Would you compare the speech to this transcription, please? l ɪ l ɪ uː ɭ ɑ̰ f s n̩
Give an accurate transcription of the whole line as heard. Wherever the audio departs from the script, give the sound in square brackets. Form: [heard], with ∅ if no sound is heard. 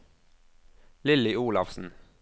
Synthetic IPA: l ɪ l ɪ uː [l] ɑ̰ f s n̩